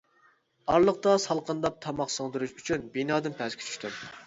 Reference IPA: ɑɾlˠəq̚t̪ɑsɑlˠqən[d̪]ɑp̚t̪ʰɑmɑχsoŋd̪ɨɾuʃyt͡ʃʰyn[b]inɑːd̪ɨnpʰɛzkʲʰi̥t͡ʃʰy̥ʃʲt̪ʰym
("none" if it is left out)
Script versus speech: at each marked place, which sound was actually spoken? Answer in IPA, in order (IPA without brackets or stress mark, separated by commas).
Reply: d̪, b